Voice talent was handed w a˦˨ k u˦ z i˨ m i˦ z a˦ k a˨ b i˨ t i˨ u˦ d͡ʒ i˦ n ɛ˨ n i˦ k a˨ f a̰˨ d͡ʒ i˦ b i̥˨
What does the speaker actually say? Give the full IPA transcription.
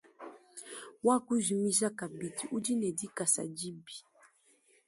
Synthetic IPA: w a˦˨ k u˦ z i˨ m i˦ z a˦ k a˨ b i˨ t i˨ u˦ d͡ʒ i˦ n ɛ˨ d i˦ k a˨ s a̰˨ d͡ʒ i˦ b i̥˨